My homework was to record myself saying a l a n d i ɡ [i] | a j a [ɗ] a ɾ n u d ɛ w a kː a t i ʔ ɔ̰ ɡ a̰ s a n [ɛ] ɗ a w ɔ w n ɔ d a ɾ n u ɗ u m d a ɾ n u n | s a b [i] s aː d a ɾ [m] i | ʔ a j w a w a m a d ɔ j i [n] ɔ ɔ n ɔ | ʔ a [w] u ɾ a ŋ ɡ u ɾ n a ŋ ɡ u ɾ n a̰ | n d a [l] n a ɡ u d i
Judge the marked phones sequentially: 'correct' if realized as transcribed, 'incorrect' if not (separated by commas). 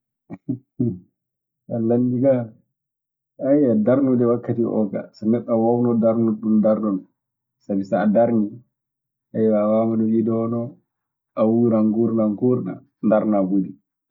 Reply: incorrect, incorrect, correct, correct, incorrect, incorrect, correct, incorrect